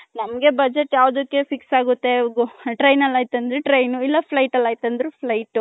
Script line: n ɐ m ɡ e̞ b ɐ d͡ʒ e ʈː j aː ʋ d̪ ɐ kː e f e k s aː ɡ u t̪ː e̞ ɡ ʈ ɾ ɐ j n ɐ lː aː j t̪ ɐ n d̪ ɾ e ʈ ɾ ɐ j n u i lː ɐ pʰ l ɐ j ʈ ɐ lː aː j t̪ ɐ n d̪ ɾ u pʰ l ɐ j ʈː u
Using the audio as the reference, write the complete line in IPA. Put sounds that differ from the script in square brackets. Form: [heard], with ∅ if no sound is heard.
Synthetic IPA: n ɐ m ɡ e̞ b ɐ d͡ʒ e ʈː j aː ʋ d̪ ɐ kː e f [i] k s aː ɡ u t̪ː e̞ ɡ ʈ ɾ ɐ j n ɐ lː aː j t̪ ɐ n d̪ ɾ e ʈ ɾ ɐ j n u i lː ɐ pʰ l ɐ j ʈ ɐ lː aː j t̪ ɐ n d̪ ɾ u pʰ l ɐ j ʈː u